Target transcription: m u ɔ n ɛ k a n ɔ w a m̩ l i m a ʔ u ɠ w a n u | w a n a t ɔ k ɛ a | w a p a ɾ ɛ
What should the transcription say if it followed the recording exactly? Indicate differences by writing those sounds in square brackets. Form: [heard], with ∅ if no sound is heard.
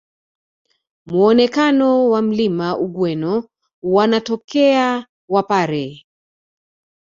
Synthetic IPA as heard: m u ɔ n ɛ k a n ɔ w a m̩ l i m a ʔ u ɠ w [ɛ] n [ɔ] | w a n a t ɔ k ɛ a | w a p a ɾ ɛ